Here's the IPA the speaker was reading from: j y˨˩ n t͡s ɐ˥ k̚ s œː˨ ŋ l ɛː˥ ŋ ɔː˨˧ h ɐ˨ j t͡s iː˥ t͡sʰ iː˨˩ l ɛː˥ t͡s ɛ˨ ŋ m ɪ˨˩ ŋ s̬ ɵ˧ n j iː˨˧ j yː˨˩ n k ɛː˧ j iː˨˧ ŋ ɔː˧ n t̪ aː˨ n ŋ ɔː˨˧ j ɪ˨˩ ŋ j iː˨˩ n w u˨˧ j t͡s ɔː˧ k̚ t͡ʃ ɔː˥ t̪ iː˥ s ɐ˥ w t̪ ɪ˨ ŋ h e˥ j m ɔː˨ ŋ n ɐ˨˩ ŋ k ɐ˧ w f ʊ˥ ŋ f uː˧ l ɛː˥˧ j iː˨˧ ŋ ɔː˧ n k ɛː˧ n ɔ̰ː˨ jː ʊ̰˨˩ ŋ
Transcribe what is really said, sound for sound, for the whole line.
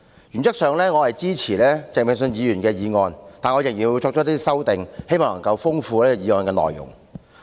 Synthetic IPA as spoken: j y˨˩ n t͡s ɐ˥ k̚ s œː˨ ŋ l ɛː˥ ŋ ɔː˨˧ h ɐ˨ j t͡s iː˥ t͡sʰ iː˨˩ l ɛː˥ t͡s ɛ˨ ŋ m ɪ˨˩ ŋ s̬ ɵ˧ n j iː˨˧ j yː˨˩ n k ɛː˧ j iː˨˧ ŋ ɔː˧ n t̪ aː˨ n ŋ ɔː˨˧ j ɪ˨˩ ŋ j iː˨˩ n w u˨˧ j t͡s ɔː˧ k̚ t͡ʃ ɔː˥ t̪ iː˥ s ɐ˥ w t̪ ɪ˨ ŋ h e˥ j m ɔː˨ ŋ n ɐ˨˩ ŋ k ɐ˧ w f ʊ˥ ŋ f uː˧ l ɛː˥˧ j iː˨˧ ŋ ɔː˧ n k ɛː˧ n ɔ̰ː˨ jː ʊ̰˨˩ ŋ